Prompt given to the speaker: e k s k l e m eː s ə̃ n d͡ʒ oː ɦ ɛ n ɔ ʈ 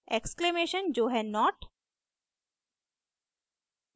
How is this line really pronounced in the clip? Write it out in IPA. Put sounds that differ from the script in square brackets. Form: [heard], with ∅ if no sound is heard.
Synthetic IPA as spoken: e k s k l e m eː [ʃ] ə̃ n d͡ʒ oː ɦ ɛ n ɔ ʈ